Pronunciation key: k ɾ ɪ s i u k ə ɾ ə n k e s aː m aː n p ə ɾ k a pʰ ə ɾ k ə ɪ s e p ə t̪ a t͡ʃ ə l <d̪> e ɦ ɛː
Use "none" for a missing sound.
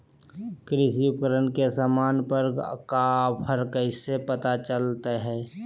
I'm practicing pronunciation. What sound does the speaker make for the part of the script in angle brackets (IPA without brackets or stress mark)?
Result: t̪